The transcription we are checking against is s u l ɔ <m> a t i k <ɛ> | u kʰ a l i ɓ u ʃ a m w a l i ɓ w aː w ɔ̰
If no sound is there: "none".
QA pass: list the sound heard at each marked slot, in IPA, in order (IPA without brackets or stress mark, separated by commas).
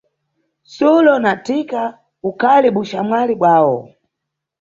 n, a